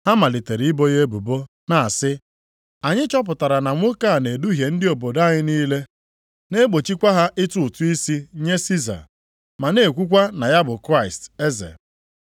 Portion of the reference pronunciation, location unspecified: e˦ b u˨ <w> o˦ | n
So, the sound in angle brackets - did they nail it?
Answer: no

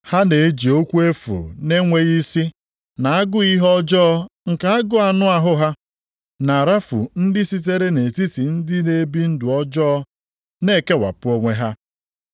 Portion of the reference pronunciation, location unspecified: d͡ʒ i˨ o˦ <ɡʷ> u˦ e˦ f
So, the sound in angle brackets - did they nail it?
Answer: no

